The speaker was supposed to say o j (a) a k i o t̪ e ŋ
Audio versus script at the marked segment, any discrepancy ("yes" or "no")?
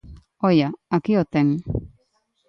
no